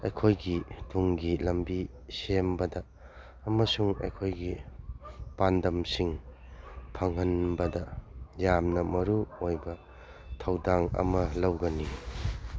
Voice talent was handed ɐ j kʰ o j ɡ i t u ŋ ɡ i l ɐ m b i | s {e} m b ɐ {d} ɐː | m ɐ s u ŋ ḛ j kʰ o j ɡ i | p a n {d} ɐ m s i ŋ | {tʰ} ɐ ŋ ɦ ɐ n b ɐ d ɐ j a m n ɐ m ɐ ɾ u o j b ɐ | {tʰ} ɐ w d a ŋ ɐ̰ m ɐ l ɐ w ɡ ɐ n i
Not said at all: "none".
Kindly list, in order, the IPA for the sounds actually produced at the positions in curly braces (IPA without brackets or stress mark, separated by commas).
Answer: e, d, d, pʰ, tʰ